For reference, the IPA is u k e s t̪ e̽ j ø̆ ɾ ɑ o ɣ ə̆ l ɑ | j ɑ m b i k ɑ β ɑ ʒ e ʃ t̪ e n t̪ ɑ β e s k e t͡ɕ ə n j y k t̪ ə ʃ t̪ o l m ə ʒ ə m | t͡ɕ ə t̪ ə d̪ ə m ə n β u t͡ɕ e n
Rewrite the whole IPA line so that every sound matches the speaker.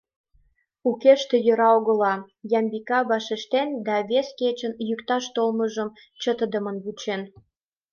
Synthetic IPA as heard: u k e ʃ t̪ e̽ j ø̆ ɾ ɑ o ɣ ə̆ l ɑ | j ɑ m b i k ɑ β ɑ ʃ e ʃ t̪ e n d̪ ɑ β e s k e t͡ɕ ə n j y k t̪ ɑ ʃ t̪ o l m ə ʒ ə m | t͡ɕ ə t̪ ə d̪ ə m ə n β u t͡ɕ e n